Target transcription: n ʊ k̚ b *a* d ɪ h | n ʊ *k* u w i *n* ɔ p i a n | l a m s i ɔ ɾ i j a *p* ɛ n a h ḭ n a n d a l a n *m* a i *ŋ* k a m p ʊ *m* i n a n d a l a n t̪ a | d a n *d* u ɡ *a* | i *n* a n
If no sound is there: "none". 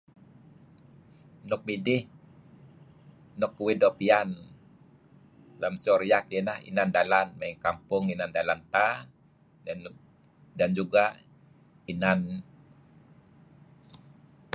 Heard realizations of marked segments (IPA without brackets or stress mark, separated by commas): i, k, d, k, m, ŋ, ŋ, d͡ʒ, a, n